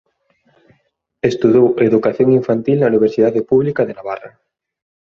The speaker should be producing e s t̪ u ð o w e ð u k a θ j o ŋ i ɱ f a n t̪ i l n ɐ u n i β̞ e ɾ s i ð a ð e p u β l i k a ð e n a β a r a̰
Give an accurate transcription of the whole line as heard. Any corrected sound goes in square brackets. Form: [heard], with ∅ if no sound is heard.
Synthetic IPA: e s t̪ u ð o w e ð u k a θ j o ŋ i ɱ f a n t̪ i l n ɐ u n i β̞ e ɾ s i ð a ð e p u β l i k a ð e n a β a r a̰